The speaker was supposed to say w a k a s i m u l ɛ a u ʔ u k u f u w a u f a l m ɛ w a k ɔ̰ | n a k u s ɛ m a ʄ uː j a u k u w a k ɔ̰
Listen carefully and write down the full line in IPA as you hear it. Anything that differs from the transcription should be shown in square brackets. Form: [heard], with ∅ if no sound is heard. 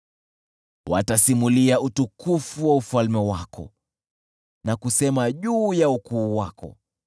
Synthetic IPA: w a [t] a s i m u l [i] a u [t] u k u f u w a u f a l m ɛ w a k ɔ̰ | n a k u s ɛ m a ʄ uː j a u k [uː] w a k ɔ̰